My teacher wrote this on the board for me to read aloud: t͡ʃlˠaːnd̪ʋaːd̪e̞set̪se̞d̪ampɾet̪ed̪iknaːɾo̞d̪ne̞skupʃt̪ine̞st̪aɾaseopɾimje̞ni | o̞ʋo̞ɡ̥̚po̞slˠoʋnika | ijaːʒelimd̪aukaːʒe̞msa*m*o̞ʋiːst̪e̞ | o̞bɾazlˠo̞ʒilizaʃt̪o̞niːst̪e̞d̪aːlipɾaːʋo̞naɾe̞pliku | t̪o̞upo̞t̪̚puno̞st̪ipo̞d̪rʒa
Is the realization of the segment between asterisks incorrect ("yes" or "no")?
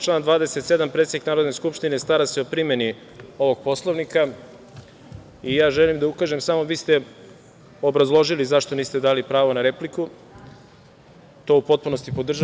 no